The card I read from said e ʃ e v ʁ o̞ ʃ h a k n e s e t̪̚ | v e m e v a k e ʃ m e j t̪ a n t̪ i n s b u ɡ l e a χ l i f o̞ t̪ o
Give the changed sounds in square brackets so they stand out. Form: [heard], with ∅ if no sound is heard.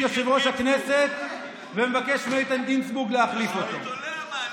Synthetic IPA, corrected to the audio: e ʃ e v ʁ o̞ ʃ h a k n e s e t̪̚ | v e m e v a k e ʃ m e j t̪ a n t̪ i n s b u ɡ l e a χ l i f o̞ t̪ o